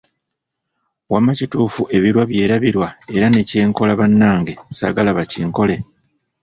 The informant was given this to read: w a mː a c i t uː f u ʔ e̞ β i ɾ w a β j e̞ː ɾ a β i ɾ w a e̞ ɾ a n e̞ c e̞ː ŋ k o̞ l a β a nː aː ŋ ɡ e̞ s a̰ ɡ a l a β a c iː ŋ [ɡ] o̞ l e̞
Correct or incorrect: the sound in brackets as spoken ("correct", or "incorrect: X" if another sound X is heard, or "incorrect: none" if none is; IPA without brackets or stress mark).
incorrect: k